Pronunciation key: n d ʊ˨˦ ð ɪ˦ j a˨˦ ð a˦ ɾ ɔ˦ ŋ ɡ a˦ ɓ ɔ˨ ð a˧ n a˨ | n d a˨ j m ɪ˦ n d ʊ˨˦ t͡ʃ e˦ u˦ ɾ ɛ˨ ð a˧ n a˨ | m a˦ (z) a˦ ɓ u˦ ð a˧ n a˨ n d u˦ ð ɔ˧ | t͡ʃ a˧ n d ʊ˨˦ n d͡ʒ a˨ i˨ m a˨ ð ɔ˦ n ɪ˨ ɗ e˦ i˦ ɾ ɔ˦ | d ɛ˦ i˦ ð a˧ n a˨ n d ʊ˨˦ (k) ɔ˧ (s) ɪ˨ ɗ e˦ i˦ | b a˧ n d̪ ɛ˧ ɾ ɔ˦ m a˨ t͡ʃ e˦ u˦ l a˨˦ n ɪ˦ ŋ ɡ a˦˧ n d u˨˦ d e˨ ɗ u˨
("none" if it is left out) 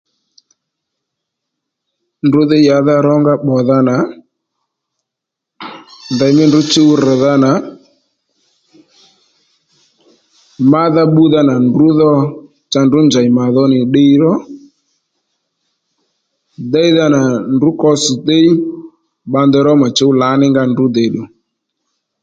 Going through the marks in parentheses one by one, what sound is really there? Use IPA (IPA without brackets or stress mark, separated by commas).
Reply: ð, k, s